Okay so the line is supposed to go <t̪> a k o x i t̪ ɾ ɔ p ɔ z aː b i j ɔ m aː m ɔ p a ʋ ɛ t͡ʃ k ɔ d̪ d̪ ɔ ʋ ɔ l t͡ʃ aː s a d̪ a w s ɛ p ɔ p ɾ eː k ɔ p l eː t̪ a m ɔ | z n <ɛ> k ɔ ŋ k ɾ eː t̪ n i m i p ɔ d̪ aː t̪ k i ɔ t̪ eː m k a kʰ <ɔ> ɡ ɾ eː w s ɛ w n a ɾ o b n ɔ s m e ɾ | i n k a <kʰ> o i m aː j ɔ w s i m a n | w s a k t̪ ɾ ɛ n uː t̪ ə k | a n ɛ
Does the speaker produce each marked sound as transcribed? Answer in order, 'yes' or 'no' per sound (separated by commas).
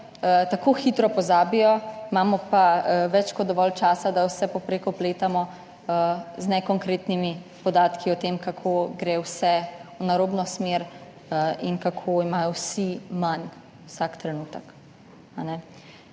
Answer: yes, yes, no, yes